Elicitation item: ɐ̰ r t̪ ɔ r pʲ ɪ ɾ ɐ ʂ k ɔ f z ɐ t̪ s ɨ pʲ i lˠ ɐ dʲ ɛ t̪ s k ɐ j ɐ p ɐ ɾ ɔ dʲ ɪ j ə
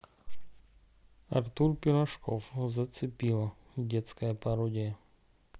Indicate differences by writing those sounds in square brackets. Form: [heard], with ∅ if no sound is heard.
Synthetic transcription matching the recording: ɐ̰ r t̪ [u] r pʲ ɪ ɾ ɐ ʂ k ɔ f z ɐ t̪ s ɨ pʲ i lˠ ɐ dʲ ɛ t̪ s k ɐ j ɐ p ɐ ɾ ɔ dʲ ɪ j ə